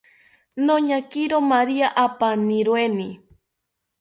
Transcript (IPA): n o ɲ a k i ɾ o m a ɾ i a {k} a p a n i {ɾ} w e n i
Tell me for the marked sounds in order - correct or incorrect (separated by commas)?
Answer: incorrect, correct